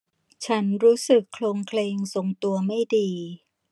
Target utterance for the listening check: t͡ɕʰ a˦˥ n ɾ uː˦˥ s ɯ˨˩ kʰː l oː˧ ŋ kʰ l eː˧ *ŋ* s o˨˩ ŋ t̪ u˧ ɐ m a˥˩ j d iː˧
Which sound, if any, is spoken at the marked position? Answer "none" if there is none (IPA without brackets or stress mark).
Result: ŋ